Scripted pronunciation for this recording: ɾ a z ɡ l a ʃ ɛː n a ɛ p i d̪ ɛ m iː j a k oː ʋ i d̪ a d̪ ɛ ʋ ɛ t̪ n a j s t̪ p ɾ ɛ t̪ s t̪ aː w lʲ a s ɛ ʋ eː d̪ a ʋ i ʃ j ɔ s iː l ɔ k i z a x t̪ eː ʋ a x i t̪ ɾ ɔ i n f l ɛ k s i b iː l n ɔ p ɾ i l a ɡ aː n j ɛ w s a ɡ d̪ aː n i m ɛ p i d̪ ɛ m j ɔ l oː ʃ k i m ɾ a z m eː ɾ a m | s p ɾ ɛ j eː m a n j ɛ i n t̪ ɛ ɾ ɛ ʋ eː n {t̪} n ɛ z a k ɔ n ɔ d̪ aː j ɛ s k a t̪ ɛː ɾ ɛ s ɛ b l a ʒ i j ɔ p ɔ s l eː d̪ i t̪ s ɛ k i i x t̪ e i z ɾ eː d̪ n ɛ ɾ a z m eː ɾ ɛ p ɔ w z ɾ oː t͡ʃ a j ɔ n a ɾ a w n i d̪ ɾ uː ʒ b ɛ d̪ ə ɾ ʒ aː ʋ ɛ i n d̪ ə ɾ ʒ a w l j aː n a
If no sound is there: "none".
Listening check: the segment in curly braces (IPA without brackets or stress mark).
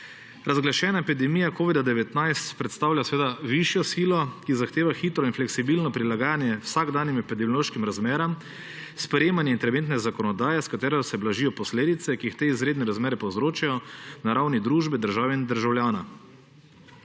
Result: t̪